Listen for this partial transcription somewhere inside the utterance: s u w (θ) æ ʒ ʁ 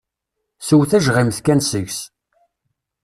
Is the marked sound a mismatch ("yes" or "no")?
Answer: no